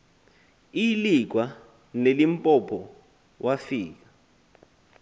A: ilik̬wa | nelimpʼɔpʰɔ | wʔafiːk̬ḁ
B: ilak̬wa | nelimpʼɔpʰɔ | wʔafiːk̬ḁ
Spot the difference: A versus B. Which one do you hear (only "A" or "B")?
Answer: A